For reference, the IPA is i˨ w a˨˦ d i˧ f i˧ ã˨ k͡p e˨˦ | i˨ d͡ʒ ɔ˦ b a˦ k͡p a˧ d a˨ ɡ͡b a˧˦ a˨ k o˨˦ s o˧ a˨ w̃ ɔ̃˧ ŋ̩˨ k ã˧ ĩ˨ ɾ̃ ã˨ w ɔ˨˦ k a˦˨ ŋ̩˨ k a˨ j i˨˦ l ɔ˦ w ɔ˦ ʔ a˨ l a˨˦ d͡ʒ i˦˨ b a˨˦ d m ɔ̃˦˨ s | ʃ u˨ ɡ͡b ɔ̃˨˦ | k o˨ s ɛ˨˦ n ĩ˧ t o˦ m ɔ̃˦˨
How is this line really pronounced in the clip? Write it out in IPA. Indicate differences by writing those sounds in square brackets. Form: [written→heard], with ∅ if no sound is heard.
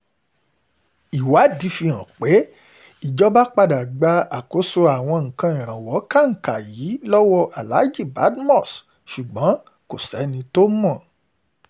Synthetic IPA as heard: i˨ w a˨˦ d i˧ f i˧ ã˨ k͡p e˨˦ | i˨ d͡ʒ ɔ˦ b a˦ k͡p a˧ d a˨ ɡ͡b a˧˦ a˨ k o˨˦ s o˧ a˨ w̃ ɔ̃˧ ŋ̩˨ k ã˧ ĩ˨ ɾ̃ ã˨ w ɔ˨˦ k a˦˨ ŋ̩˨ k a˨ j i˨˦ l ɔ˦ w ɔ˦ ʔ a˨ l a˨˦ d͡ʒ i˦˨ b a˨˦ d m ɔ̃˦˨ s | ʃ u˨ ɡ͡b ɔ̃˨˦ | k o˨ s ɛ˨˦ n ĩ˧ t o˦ m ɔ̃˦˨